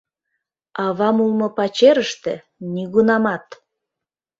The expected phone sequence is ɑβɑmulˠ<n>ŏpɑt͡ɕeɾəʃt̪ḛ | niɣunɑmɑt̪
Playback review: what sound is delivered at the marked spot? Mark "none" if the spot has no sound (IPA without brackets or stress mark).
m